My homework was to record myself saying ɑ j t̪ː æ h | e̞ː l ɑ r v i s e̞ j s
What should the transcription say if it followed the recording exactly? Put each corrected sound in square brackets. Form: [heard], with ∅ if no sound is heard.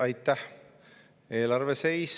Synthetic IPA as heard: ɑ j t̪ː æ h | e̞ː l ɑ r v [e] s e̞ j s